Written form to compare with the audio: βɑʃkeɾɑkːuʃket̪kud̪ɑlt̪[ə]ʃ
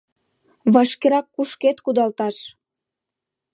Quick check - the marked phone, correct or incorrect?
incorrect